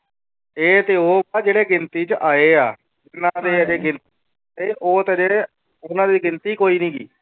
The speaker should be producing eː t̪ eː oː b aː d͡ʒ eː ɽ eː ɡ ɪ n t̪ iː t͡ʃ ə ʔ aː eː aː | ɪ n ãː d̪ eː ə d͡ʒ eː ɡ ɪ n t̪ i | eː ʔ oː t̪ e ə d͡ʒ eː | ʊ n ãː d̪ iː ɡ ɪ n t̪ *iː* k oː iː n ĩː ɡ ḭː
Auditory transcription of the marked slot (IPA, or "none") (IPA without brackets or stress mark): iː